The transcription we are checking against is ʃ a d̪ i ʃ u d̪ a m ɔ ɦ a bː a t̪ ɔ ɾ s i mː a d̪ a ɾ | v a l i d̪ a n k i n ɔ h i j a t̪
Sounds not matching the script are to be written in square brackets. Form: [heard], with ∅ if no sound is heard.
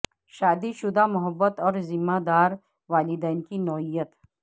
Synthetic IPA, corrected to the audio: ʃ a d̪ i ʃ u d̪ a m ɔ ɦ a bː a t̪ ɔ ɾ [z] i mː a d̪ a ɾ | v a l i d̪ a n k i n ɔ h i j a t̪

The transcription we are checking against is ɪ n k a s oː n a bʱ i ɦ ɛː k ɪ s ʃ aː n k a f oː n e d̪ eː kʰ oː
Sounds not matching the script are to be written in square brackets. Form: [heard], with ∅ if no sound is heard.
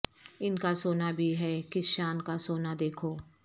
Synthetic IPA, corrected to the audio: ɪ n k a s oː n a bʱ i ɦ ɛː k ɪ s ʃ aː n k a [s] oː n [a] d̪ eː kʰ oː

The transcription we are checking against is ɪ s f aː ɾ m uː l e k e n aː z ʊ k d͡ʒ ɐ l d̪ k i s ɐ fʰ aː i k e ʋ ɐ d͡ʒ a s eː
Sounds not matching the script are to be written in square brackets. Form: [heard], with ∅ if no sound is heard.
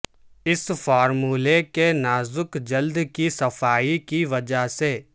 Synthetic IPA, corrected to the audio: ɪ s f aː ɾ m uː l e k e n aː z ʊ k d͡ʒ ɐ l d̪ k i s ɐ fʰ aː i k [i] ʋ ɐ d͡ʒ a s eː

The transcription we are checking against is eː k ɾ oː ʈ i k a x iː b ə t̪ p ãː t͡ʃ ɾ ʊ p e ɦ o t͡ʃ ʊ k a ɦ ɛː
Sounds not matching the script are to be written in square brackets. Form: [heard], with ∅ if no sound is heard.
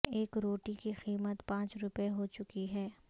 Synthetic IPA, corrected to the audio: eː k ɾ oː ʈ i k [i] x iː [m] ə t̪ p ãː t͡ʃ ɾ ʊ p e ɦ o t͡ʃ ʊ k [i] ɦ ɛː

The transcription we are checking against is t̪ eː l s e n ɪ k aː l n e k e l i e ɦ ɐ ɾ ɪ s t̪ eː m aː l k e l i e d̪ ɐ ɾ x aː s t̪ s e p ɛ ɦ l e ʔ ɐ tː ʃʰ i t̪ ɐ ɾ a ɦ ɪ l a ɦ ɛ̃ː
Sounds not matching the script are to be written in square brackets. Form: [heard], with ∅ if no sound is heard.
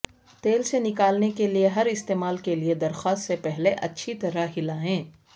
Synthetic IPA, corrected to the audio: t̪ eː l s e n ɪ k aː l n e k e l i e ɦ ɐ ɾ ɪ s t̪ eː m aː l k e l i e d̪ ɐ ɾ x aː s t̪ s e p ɛ ɦ l e ʔ ɐ tː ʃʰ i t̪ ɐ ɾ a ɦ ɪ l a ɦ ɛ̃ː

